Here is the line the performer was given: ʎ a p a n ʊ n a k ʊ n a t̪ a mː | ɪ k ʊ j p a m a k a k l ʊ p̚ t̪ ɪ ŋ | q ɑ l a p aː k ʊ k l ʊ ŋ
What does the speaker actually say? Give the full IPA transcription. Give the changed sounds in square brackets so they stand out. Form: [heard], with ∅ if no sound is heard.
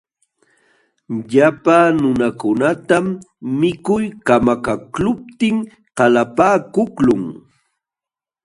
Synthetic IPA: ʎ a p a n ʊ n a k ʊ n a t̪ a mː | ɪ k ʊ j [k] a m a k a k l ʊ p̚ t̪ ɪ ŋ | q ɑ l a p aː k ʊ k l ʊ ŋ